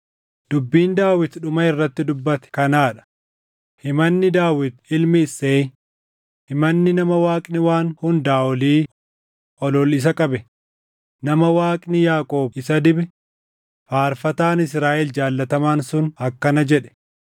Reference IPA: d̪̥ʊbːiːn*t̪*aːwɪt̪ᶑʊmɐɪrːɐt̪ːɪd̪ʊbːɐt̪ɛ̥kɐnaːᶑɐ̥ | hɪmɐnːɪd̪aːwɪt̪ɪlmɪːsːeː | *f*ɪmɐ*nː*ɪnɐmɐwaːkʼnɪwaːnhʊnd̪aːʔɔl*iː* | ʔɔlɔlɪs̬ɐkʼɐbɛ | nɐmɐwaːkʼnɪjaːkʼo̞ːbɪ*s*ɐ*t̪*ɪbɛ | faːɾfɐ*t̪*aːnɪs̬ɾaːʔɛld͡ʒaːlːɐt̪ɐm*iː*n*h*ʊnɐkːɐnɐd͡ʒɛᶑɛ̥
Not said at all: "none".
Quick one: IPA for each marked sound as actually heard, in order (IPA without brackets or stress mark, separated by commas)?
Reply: d̪, h, nː, iː, s, d̪, t̪, aː, s